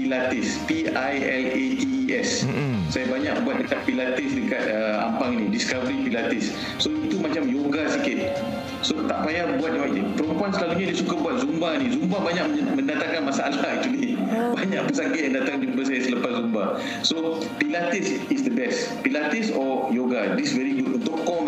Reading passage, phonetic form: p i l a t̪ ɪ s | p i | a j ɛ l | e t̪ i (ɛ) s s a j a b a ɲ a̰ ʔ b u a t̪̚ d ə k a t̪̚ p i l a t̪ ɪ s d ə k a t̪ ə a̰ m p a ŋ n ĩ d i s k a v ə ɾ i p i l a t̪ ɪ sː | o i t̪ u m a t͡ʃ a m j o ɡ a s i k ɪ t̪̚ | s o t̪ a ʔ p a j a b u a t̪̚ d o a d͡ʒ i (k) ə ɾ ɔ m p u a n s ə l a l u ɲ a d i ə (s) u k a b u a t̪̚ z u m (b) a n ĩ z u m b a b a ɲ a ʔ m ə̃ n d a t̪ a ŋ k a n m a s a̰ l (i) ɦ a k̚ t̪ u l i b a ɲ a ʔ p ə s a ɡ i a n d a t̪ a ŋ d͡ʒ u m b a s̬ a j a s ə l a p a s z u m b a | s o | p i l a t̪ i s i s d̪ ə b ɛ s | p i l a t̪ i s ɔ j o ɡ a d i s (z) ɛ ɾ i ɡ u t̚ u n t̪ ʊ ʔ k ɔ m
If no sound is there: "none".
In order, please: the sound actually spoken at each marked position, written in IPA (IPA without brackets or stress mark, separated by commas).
ɛ, p, s, b, a, v